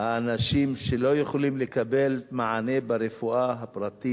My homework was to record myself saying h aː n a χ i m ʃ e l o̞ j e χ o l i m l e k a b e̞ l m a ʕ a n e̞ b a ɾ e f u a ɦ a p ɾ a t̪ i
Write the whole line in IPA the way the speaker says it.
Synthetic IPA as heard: h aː n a ʃ i m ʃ e l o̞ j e χ o l i m l e k a b e̞ l m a ʕ a n e̞ b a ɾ e f u a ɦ a p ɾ a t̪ i